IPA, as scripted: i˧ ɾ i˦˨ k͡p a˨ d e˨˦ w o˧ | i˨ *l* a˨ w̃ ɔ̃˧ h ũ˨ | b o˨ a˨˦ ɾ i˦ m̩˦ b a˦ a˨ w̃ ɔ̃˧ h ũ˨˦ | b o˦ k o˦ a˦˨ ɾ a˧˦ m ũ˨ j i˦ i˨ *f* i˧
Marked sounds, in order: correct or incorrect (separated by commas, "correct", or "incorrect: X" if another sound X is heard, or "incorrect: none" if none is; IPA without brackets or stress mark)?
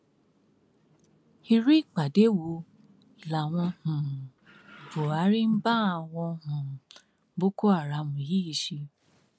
correct, incorrect: ʃ